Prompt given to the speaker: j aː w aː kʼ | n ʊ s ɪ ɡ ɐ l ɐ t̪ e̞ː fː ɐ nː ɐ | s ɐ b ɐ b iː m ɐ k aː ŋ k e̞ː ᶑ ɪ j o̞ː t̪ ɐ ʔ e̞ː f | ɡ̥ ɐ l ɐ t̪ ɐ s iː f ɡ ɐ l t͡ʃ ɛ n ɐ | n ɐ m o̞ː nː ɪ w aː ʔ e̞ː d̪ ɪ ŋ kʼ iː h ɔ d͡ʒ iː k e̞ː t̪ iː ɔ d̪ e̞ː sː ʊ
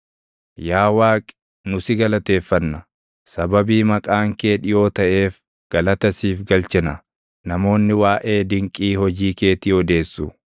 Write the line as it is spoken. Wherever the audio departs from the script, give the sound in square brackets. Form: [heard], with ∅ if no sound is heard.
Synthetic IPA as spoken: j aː w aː kʼ | n ʊ s ɪ ɡ ɐ l ɐ t̪ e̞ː fː ɐ nː ɐ | s ɐ b ɐ b iː m ɐ [kʼ] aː ŋ k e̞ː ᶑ ɪ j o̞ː t̪ ɐ ʔ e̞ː f | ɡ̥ ɐ l ɐ t̪ ɐ s iː f ɡ ɐ l t͡ʃ ɛ n ɐ | n ɐ m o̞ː nː ɪ w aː ʔ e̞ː d̪ ɪ ŋ kʼ iː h ɔ d͡ʒ iː k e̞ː t̪ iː ɔ d̪ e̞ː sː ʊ